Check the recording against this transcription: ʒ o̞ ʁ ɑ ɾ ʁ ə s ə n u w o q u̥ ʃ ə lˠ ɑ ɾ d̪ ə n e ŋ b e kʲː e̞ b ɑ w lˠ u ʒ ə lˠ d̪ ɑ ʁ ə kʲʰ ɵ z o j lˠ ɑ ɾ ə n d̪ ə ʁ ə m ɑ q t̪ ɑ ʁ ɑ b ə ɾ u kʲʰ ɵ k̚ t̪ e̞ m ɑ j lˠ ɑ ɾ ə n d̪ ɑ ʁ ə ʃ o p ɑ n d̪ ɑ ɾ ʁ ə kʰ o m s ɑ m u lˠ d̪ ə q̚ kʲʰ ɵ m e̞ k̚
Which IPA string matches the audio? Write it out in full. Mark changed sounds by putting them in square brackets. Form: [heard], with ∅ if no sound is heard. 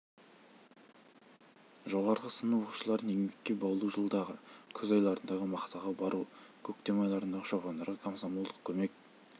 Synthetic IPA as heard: ʒ o̞ ʁ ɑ ɾ ʁ ə s ə n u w o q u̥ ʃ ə lˠ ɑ ɾ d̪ ə n e ŋ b e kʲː e̞ b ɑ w lˠ u ʒ ə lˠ d̪ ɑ ʁ ə kʲʰ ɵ z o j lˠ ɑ ɾ ə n d̪ [ɑ] ʁ ə m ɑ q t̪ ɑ ʁ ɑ b [ɑ] ɾ u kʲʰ ɵ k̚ t̪ e̞ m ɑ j lˠ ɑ ɾ ə n d̪ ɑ ʁ ə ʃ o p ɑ n d̪ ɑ ɾ ʁ ə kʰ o m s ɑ m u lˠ d̪ ə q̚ kʲʰ ɵ m e̞ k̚